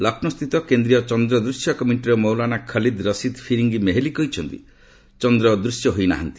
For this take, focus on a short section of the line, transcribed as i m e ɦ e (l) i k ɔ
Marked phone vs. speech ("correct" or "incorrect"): correct